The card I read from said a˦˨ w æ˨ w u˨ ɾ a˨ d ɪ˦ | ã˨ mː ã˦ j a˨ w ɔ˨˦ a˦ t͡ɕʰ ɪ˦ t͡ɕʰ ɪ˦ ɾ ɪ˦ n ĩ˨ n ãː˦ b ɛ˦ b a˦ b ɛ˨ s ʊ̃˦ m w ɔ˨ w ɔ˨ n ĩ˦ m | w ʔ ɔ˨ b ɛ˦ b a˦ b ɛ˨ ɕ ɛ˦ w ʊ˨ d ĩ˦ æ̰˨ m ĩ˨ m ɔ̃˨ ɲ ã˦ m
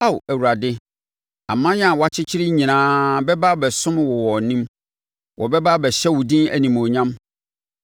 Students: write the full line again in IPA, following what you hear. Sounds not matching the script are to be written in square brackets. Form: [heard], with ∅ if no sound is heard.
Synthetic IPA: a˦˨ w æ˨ w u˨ ɾ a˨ d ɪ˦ | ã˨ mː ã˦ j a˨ w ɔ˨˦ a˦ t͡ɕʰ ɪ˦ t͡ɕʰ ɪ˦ ɾ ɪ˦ [ɲ] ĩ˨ n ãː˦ b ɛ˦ b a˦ b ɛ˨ s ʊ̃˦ m w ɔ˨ w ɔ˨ n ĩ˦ m | w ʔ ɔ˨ b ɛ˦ b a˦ b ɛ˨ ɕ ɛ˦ w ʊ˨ d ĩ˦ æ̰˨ [n] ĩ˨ m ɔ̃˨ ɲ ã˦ m